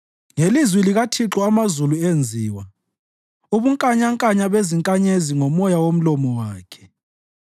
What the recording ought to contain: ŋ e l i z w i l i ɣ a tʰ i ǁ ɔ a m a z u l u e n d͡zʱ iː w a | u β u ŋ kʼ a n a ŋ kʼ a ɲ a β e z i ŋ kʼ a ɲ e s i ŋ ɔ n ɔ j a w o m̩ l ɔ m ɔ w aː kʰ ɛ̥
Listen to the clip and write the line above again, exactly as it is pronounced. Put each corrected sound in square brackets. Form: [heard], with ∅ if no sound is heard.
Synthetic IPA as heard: ŋ e l i z w i l i ɣ a tʰ i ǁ ɔ a m a z u l u e n d͡zʱ iː w a | u β u ŋ kʼ a [ɲ] a ŋ kʼ a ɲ a β e z i ŋ kʼ a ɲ e [z] i ŋ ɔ [m] ɔ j a w o m̩ l ɔ m ɔ w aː kʰ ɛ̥